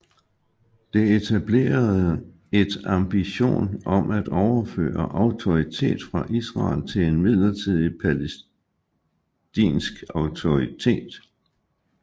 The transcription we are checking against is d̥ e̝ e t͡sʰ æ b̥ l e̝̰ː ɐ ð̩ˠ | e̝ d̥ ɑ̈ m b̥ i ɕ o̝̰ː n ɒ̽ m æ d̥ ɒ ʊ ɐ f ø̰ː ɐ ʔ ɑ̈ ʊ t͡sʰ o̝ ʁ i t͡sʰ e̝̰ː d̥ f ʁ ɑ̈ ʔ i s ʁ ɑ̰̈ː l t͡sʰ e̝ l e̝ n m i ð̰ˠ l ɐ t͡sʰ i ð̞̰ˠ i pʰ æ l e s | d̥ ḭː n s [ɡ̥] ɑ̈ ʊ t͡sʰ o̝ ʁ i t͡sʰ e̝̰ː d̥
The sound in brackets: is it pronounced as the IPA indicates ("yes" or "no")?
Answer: yes